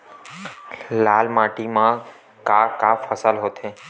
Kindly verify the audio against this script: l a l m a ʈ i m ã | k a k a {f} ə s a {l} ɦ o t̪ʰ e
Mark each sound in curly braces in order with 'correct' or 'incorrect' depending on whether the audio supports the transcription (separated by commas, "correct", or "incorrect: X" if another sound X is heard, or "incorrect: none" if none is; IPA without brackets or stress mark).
correct, correct